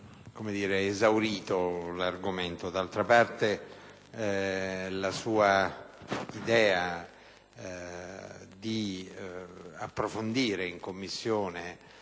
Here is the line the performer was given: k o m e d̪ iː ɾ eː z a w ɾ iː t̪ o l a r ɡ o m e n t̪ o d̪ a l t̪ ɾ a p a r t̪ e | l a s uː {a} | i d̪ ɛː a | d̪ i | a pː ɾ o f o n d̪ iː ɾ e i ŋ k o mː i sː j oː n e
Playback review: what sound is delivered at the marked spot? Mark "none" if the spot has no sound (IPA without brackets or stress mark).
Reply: a